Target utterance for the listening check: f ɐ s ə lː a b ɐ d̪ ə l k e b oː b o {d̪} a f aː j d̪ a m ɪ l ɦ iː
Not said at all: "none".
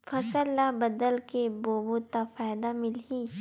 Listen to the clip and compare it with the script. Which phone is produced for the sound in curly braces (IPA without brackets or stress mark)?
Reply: t̪